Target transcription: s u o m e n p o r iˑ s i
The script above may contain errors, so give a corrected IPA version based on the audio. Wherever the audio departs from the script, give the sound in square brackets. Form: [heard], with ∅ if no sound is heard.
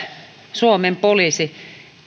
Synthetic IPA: s u o m e [m] p o [l] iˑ s i